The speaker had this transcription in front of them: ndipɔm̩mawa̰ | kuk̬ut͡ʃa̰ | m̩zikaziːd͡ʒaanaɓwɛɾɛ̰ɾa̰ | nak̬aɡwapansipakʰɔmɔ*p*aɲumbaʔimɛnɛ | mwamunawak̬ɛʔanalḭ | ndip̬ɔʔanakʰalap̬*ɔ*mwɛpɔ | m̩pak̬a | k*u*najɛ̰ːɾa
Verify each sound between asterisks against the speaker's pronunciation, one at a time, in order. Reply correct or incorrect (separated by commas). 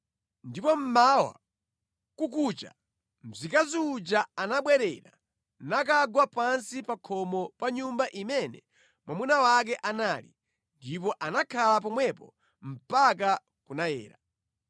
correct, correct, correct